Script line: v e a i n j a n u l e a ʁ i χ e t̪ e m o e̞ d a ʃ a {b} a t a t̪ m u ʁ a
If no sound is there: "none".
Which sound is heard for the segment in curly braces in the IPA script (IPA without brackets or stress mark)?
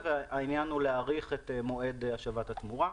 v